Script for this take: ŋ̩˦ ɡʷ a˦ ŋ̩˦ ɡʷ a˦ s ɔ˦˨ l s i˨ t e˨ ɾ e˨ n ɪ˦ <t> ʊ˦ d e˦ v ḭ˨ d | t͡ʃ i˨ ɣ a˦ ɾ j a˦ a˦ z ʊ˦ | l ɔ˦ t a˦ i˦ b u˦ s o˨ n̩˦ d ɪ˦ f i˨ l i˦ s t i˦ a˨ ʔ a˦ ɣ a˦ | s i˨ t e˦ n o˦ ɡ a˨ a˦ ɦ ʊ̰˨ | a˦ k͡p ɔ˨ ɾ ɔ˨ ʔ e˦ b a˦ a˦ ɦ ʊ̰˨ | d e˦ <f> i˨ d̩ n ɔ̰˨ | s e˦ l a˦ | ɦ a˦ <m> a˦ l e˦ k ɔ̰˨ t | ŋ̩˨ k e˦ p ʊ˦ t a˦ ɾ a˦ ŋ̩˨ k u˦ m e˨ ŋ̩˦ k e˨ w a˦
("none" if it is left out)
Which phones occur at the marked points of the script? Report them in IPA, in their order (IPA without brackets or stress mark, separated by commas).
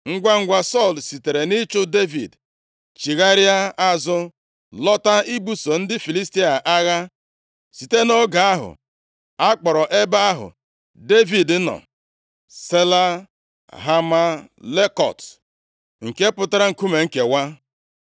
t͡ʃ, v, m